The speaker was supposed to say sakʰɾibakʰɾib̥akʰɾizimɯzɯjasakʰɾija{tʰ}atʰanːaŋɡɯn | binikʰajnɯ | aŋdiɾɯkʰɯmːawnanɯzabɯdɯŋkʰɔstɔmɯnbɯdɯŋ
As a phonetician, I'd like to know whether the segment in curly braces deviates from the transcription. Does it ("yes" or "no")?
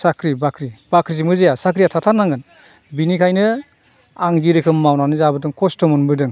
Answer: no